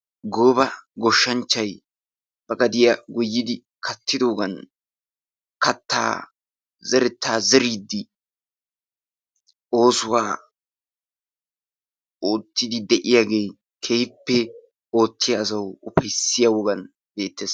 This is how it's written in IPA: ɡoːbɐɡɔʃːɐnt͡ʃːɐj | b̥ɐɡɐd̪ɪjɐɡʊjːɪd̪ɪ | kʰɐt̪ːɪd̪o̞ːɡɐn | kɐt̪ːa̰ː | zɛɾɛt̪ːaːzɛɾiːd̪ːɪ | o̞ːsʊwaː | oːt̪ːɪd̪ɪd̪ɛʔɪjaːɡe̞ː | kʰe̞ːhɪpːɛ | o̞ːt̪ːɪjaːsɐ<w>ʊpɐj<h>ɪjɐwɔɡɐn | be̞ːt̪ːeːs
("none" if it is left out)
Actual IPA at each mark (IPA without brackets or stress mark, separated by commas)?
w, s